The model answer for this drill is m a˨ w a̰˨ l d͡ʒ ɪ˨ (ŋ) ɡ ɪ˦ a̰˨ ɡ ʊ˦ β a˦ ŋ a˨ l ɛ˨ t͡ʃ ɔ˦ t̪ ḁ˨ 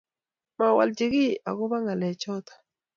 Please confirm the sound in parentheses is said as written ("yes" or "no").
no